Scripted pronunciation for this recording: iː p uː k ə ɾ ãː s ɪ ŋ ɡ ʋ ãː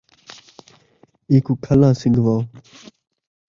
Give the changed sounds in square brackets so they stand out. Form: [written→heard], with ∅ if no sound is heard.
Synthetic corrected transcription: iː [p→k] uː [k→kʰ] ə [ɾ→l] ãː s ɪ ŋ ɡ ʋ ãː